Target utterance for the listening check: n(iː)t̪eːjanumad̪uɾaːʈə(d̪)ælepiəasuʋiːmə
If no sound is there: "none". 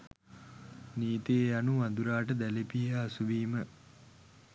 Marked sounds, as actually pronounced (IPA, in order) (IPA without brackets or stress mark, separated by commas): iː, d̪